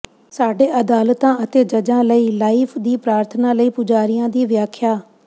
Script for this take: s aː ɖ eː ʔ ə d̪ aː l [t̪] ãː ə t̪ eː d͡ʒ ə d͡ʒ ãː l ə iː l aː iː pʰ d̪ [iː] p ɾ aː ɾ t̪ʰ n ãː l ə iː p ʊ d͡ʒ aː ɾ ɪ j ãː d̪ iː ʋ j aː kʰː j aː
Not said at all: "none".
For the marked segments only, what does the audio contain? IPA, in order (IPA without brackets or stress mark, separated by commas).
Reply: t̪, iː